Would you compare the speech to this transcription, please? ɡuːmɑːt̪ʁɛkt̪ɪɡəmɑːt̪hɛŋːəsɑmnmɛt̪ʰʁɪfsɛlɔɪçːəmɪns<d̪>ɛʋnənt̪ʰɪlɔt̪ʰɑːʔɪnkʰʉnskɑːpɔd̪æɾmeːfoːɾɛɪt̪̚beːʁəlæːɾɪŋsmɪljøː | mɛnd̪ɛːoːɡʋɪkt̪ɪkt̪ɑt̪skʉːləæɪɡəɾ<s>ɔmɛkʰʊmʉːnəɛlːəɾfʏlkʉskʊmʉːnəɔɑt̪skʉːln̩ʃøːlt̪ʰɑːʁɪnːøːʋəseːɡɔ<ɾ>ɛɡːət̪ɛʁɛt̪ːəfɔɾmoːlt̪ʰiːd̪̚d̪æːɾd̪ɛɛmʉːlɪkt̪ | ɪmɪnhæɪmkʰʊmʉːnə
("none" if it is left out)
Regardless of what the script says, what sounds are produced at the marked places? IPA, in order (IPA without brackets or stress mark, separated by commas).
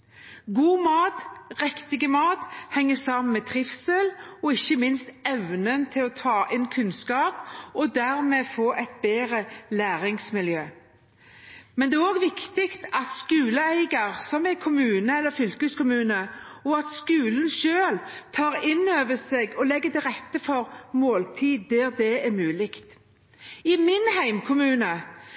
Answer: t̪, s, l